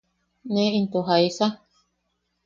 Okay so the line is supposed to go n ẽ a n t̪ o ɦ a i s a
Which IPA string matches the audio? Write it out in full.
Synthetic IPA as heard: n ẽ i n t̪ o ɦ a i s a

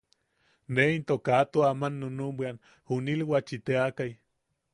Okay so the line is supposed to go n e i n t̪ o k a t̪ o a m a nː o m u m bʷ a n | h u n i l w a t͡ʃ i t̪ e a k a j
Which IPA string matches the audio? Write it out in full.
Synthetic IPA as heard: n e i n t̪ o k a t̪ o a m a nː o n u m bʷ a n | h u n i l w a t͡ʃ i t̪ e a k a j

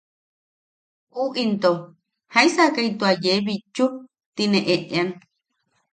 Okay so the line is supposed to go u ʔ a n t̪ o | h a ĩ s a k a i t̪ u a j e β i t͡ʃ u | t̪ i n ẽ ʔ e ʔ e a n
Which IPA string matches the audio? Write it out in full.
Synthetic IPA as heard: u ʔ i n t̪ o | h a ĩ s a k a i t̪ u a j e β i t͡ʃ u | t̪ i n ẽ ʔ e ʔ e a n

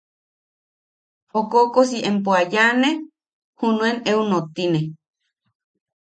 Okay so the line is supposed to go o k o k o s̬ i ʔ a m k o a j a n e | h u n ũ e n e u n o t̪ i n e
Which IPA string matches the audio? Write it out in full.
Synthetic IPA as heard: o k o k o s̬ i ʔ e m p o a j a n e | h u n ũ e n e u n o t̪ i n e

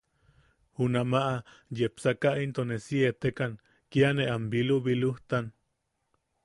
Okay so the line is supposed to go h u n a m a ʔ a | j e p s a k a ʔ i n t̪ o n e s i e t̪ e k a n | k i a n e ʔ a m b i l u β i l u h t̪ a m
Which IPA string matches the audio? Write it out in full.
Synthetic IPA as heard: h u n a m a ʔ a | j e p s a k a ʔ i n t̪ o n e s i e t̪ e k a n | k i a n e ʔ a m b i l u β i l u h t̪ a n

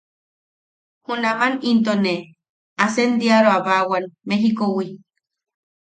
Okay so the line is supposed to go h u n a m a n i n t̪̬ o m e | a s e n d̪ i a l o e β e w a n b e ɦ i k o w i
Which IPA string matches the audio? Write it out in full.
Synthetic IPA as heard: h u n a m a n i n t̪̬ o n e | a s e n d̪ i a ɾ o a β a w a n m e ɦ i k o w i

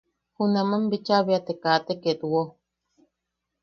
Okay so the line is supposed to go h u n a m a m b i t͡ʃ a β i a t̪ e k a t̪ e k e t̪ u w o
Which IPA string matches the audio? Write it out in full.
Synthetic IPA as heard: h u n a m a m b i t͡ʃ a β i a t̪ e k a t̪ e k e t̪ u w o

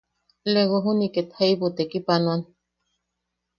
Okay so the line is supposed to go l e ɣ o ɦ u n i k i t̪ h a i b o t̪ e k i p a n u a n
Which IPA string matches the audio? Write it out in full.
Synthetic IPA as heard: l e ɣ o ɦ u n i k e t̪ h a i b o t̪ e k i p a n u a n

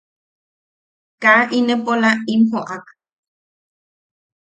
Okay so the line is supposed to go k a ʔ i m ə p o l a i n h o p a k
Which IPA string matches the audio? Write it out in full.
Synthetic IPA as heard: k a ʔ i n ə p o l a i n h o ʔ a k

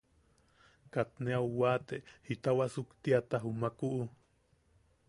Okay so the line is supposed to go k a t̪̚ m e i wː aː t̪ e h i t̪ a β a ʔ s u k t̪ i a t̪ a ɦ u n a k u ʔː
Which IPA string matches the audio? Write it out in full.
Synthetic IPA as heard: k a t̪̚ n e a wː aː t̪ e h i t̪ a w a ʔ s u k t̪ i a t̪ a ɦ u m a k u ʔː

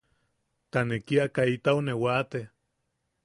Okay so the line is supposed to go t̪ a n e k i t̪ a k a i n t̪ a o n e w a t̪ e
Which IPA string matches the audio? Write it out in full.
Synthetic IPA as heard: t̪ a n e k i a k a i t̪ a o n e w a t̪ e

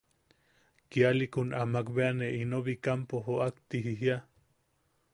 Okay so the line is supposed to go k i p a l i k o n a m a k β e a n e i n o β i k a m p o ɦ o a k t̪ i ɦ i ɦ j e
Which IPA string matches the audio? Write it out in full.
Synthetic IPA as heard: k i a l i k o n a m a k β e a n e i n o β i k a m p o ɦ o a k t̪ i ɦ i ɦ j a

